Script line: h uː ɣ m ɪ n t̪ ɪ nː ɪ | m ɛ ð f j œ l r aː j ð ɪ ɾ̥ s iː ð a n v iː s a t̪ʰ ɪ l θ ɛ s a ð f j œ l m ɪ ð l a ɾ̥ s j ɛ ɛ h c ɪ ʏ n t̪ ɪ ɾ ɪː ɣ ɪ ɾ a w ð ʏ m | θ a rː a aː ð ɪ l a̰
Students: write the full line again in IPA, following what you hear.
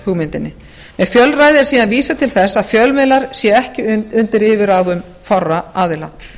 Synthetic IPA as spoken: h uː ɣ m ɪ n t̪ ɪ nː ɪ | m ɛ ð f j œ l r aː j ð ɪ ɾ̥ s iː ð a n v iː s a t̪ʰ ɪ l θ ɛ s a ð f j œ l m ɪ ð l a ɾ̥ s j ɛ ɛ h c ɪ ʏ n t̪ ɪ ɾ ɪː v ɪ ɾ a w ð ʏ m | f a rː a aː ð ɪ l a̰